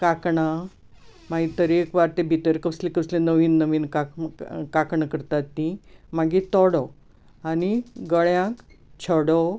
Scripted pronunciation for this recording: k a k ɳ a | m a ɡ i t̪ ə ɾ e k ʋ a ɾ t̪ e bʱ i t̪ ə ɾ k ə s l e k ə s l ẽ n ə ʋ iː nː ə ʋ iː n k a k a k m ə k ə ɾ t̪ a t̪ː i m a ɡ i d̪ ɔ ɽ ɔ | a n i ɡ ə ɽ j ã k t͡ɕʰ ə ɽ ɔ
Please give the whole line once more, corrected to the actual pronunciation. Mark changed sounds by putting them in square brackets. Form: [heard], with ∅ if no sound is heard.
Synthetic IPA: k a k ɳ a | m a ɡ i t̪ ə ɾ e k ʋ a ɾ t̪ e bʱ i t̪ ə ɾ k ə s l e k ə s l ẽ n ə ʋ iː nː ə ʋ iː n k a k a k [ɳ] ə k ə ɾ t̪ a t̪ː i m a ɡ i [t̪] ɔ ɽ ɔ | a n i ɡ ə [ɭ] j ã k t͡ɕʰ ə ɽ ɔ